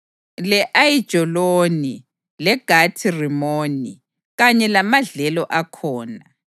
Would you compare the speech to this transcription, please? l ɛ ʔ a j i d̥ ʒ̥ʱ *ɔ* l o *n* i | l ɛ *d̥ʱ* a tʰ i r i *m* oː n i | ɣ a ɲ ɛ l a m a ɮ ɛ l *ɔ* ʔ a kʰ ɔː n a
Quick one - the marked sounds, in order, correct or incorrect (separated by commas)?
correct, correct, incorrect, correct, correct